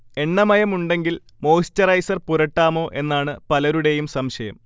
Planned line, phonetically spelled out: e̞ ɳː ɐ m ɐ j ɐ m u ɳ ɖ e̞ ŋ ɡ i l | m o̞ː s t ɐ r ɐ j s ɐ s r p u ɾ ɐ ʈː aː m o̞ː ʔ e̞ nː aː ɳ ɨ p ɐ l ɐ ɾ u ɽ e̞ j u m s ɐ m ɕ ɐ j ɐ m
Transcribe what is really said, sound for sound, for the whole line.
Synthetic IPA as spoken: e̞ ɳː ɐ m ɐ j ɐ m u ɳ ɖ e̞ ŋ ɡ i l | m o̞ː s t ɐ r ɐ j s ɐ r p u ɾ ɐ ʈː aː m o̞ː ʔ e̞ nː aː ɳ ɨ p ɐ l ɐ ɾ u ɽ e̞ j u m s ɐ m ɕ ɐ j ɐ m